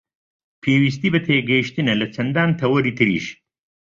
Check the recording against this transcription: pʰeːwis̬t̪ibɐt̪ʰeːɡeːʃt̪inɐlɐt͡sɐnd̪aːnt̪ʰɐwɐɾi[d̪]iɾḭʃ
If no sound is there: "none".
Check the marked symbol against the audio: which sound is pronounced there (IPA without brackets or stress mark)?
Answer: t̪